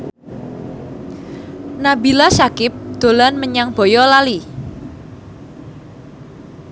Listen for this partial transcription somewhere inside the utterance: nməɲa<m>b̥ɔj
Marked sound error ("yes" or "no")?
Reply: yes